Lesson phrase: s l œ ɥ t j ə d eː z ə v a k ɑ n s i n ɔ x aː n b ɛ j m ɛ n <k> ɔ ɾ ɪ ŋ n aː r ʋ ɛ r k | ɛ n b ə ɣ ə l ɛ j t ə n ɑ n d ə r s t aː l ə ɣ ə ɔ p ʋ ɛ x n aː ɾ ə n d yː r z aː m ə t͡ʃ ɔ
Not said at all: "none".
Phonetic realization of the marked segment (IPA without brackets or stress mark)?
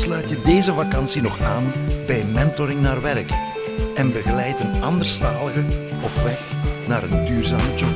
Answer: t